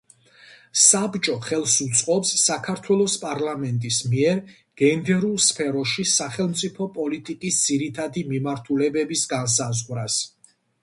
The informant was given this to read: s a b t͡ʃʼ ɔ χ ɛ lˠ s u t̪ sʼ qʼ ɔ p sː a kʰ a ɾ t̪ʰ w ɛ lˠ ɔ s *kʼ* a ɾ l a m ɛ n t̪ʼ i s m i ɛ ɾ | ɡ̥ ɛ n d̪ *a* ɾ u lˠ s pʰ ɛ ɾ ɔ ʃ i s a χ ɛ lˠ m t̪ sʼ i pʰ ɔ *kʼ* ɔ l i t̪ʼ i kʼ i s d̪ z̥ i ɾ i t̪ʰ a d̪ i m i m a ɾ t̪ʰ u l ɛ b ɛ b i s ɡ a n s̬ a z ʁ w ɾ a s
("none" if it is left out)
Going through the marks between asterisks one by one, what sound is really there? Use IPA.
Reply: pʼ, ɛ, pʼ

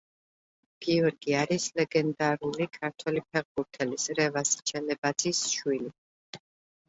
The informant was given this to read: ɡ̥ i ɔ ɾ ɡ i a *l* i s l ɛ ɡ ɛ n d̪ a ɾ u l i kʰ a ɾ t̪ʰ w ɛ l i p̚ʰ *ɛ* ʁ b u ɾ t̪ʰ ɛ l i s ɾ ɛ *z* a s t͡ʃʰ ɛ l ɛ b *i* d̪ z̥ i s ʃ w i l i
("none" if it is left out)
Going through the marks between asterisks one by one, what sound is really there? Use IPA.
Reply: ɾ, ɛ, v, a

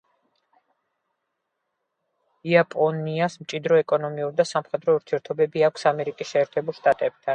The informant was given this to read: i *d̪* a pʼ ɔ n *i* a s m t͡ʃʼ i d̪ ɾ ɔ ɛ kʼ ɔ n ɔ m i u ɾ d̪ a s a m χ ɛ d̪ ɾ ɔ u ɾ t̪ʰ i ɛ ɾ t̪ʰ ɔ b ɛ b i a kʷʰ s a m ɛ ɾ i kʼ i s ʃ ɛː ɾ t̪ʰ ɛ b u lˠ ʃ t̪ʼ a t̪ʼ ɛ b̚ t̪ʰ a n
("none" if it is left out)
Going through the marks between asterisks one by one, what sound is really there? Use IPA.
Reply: none, i

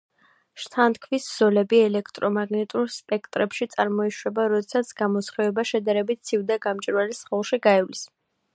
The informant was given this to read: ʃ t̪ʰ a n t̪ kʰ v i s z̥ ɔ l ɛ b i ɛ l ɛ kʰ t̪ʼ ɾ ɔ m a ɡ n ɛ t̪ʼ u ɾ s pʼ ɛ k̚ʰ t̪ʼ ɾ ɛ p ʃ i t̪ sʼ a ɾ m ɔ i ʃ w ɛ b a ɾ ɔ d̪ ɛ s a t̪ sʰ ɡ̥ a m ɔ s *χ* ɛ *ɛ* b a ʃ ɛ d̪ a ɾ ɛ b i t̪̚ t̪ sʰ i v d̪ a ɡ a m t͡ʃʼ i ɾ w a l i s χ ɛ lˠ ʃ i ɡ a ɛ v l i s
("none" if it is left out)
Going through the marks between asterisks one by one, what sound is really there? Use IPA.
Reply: χ, ɛ

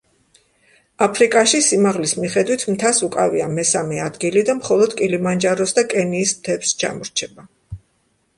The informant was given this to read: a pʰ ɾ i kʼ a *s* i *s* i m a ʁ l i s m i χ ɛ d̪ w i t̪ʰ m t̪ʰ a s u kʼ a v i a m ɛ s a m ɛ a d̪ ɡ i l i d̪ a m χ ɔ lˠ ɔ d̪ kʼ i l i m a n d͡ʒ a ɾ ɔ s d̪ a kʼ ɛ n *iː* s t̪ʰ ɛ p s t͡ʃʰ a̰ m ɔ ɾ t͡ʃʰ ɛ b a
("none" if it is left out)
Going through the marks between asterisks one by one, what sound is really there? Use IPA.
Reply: ʃ, s, iː

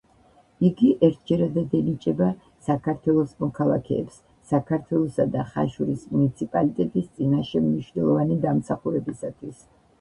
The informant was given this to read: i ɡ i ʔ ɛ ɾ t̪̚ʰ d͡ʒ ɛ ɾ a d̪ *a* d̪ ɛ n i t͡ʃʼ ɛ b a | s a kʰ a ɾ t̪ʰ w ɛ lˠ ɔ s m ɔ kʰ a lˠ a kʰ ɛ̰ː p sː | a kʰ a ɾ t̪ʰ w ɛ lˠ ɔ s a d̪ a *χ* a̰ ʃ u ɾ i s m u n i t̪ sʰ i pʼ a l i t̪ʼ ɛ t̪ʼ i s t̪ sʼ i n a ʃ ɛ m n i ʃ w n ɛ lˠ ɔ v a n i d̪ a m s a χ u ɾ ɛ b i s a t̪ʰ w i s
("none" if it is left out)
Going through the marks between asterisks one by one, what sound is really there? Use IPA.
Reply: a, χ

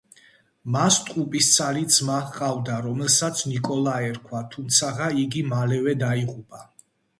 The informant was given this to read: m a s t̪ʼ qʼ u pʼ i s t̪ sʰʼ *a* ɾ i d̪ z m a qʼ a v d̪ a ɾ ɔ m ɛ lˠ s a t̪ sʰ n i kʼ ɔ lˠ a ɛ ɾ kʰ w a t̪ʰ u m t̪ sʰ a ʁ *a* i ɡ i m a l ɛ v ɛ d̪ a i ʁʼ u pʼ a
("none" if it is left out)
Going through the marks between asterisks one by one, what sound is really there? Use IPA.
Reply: a, a

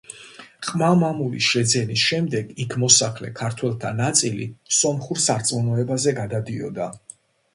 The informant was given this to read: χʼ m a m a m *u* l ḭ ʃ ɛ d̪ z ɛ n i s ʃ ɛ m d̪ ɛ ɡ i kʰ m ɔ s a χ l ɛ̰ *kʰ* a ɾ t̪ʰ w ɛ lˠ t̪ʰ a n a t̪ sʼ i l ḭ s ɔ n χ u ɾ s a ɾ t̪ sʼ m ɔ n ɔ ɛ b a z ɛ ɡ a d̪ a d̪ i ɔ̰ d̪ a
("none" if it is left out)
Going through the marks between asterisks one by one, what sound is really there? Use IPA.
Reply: u, kʰ

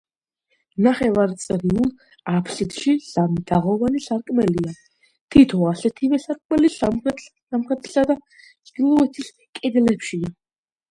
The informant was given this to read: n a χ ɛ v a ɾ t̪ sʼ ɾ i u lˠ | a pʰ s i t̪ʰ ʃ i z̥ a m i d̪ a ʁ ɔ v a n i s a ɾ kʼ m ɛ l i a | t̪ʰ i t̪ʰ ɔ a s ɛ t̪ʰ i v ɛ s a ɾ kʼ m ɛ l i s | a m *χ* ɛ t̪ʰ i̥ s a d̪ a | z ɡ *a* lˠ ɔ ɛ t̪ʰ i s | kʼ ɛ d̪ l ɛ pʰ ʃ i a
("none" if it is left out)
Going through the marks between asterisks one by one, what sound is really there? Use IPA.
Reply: χ, i

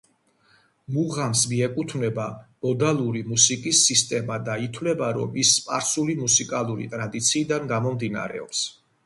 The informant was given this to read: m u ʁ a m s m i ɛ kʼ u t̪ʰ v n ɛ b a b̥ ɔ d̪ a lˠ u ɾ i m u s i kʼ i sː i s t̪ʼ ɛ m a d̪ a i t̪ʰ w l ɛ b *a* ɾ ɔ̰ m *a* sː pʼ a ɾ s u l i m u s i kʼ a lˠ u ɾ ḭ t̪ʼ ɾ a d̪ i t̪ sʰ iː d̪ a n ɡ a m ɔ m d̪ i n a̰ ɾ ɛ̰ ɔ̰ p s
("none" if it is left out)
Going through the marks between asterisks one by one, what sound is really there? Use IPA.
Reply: a, i

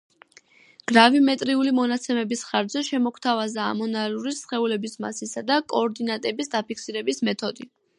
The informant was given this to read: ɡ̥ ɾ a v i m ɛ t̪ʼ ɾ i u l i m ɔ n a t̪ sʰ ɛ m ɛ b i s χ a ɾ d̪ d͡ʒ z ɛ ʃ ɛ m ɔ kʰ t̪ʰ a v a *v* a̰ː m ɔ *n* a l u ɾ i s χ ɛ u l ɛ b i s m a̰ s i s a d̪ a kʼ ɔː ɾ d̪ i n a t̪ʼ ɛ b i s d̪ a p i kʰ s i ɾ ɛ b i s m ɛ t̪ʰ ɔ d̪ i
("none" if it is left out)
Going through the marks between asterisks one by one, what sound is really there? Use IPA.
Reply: z, n

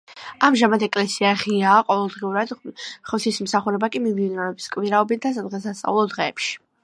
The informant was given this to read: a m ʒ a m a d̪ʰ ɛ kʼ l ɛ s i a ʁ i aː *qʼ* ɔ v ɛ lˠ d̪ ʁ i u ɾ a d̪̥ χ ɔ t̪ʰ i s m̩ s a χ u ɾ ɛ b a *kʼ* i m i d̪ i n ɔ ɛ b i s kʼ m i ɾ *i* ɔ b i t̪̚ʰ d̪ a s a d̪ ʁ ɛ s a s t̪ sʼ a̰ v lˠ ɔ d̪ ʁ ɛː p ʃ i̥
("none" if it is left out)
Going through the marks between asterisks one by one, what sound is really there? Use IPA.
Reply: qʼ, kʼ, a

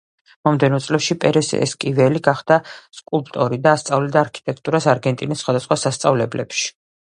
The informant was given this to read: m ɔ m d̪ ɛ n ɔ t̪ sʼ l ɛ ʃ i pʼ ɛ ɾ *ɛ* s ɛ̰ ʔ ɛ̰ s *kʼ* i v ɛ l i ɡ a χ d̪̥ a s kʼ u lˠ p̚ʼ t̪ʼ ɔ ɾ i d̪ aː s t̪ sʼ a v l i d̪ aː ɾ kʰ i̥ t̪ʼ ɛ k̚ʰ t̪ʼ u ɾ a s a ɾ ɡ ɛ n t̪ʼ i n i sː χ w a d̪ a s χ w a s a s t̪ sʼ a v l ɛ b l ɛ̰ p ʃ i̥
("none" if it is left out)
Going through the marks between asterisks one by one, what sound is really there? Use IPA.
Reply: ɛ, kʼ

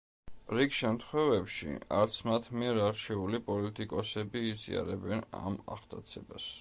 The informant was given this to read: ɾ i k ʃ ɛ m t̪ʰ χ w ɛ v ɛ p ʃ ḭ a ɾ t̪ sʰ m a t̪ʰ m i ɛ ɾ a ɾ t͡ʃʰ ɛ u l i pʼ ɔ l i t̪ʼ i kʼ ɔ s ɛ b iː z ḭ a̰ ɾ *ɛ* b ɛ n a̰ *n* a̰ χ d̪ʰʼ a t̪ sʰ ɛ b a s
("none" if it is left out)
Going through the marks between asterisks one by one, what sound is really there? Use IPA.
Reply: ɛ, m

